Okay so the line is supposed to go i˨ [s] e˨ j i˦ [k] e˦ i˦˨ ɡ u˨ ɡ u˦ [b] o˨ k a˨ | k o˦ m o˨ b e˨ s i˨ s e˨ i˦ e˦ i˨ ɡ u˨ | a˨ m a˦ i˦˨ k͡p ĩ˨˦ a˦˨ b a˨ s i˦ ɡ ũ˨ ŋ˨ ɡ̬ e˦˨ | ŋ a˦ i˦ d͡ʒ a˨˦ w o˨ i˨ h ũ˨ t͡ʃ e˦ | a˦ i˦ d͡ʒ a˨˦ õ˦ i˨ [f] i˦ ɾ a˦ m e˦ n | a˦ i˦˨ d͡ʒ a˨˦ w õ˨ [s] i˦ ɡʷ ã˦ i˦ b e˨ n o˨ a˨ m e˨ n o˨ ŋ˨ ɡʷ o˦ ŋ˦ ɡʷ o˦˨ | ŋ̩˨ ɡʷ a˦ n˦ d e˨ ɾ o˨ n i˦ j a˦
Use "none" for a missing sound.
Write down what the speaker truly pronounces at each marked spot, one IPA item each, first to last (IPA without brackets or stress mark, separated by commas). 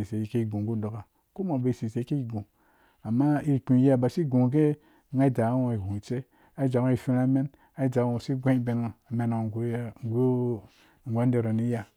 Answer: s, k, d, f, s